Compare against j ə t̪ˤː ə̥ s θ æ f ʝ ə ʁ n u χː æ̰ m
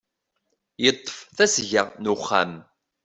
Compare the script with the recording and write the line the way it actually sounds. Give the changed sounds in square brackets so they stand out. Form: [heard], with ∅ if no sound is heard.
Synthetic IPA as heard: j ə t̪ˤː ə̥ [f] θ æ [s] ʝ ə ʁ n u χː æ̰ m